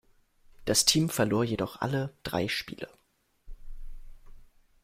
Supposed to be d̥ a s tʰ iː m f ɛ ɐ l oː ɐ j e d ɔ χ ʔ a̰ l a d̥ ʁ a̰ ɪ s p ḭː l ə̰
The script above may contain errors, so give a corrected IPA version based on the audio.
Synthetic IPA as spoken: d̥ a s tʰ iː m f ɛ ɐ l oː ɐ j e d ɔ χ ʔ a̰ l ə d̥ ʁ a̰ ɪ ʃ p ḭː l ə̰